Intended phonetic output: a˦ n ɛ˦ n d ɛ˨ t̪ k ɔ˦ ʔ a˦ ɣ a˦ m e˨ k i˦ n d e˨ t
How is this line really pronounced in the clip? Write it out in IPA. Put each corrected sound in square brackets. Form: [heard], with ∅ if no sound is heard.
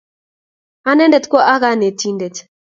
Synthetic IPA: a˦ n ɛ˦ n d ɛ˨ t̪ k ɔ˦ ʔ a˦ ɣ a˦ [n] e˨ [t] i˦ n d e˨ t